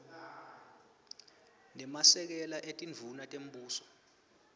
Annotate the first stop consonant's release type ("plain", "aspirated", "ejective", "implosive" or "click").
plain